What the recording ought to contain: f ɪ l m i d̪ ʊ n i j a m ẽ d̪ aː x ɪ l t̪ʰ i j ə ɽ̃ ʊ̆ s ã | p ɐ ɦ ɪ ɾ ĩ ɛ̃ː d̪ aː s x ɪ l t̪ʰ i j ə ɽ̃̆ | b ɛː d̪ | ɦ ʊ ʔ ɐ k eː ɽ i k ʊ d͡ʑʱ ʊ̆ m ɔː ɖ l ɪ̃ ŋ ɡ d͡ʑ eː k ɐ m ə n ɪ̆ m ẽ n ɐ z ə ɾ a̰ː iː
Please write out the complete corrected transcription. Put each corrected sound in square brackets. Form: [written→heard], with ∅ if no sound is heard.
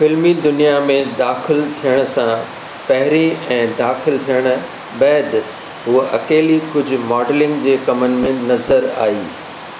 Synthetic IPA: f ɪ l m i d̪ ʊ n i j a m ẽ d̪ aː x ɪ l t̪ʰ i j ə ɽ̃ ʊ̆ s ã | p ɐ ɦ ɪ ɾ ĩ ɛ̃ː d̪ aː [s→∅] x ɪ l t̪ʰ i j ə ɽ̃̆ | b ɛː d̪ | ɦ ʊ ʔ ɐ k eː [ɽ→l] i k ʊ d͡ʑʱ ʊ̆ m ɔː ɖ l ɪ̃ ŋ ɡ d͡ʑ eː k ɐ m ə n ɪ̆ m ẽ n ɐ z ə ɾ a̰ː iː